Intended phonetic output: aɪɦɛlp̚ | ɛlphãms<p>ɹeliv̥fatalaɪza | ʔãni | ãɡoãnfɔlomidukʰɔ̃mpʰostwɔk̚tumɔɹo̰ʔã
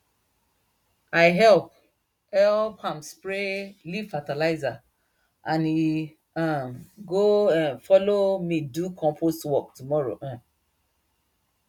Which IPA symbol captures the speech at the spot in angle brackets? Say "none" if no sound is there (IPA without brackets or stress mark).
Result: p